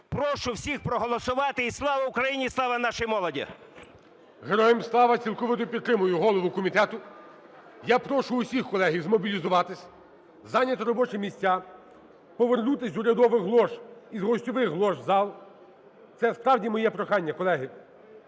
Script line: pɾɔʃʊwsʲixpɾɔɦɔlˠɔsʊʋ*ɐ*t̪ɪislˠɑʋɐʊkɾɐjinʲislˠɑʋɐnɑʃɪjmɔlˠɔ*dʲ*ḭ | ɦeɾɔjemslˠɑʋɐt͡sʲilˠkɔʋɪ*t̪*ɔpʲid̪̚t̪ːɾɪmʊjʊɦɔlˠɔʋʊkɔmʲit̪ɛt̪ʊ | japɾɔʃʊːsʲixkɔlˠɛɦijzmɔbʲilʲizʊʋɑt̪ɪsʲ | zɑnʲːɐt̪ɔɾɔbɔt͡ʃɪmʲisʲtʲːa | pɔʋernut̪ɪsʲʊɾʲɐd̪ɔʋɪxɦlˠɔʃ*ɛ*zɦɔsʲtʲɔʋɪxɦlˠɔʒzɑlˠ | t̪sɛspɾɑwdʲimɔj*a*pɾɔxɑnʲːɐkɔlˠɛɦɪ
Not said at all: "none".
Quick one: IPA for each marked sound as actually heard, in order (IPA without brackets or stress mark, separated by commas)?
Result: ɑ, dʲ, t̪, i, ɛ